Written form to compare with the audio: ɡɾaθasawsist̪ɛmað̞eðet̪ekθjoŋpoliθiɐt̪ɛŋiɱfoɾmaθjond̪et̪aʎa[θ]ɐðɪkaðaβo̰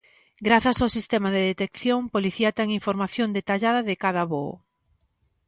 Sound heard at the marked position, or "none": ð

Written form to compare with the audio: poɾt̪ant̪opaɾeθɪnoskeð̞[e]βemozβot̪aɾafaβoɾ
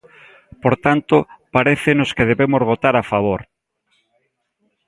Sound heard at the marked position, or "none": e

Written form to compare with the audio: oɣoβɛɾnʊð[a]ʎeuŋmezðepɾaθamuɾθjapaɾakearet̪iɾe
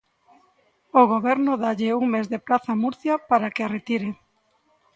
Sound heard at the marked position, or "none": a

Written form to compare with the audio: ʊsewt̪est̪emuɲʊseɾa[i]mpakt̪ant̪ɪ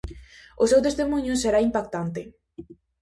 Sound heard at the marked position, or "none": i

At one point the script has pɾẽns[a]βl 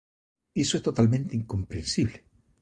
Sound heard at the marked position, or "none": i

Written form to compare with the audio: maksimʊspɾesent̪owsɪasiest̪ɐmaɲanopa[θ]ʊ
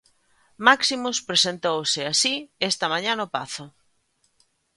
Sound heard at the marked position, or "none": θ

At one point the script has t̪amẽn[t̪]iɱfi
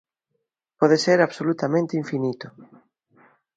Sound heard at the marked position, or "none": t̪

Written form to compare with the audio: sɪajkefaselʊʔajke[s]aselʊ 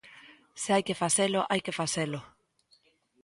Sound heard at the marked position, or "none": f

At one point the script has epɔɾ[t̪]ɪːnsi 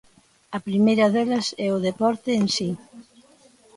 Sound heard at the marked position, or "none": t̪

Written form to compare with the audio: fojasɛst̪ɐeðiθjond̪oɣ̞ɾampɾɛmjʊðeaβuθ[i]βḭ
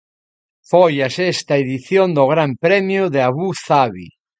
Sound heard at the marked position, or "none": a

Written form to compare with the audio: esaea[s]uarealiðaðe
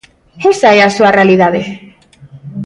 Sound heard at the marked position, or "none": s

